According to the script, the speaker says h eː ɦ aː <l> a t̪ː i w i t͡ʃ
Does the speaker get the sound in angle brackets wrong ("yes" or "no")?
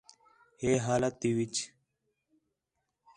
no